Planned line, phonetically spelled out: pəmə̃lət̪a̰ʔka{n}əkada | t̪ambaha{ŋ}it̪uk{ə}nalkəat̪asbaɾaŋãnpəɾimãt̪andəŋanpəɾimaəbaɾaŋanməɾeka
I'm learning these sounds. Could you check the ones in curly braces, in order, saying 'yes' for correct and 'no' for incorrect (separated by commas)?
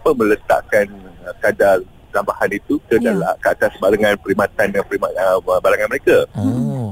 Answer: yes, no, yes